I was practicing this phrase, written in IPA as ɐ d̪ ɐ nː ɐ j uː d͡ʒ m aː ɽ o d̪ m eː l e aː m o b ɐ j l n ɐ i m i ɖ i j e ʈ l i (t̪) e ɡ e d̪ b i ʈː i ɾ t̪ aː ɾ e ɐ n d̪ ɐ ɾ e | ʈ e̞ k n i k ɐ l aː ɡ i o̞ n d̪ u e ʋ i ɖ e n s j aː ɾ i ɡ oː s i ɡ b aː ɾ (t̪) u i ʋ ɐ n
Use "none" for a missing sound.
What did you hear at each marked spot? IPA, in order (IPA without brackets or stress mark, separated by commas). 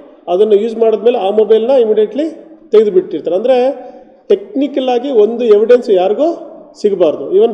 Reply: t̪, d̪